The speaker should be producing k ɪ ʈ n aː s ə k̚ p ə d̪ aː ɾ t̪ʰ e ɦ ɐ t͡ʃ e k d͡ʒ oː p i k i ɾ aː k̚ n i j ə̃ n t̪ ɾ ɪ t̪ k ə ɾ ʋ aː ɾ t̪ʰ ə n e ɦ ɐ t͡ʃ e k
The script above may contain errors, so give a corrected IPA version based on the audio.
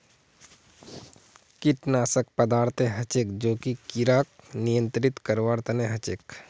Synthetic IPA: k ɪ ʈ n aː s ə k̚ p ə d̪ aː ɾ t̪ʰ e ɦ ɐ t͡ʃ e k d͡ʒ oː k i k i ɾ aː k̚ n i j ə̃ n t̪ ɾ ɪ t̪ k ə ɾ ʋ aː ɾ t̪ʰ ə n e ɦ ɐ t͡ʃ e k

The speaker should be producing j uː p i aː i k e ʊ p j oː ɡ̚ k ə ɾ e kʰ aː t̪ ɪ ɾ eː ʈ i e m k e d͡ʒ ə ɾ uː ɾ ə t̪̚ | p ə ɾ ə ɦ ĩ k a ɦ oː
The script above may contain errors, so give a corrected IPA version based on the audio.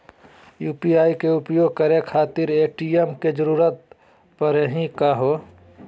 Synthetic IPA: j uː p i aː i k e ʊ p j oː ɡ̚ k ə ɾ e kʰ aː t̪ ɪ ɾ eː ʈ i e m k e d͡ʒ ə ɾ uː ɾ ə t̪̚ | p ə ɾ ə ɦ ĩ k a ɦ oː

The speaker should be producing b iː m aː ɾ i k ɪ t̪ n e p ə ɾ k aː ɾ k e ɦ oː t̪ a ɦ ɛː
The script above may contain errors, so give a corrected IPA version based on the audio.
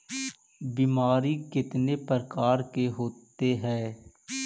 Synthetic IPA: b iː m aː ɾ i k ɪ t̪ n e p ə ɾ k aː ɾ k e ɦ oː t̪ e ɦ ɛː

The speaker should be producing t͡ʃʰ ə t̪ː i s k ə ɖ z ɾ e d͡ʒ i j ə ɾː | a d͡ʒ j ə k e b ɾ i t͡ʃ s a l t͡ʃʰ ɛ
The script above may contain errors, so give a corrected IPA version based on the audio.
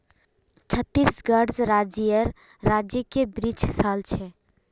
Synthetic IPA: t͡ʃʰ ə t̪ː i s ɡ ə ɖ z ɾ a d͡ʒ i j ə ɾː | a d͡ʒ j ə k e b ɾ i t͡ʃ s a l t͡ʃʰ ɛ

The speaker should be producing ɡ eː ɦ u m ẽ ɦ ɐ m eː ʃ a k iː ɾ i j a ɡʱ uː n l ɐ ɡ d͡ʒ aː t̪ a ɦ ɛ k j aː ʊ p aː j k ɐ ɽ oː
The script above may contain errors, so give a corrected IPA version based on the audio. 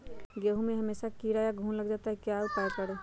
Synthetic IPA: ɡ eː ɦ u m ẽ ɦ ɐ m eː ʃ a k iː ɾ a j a ɡʱ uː n l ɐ ɡ d͡ʒ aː t̪ a ɦ ɛ k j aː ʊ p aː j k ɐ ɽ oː

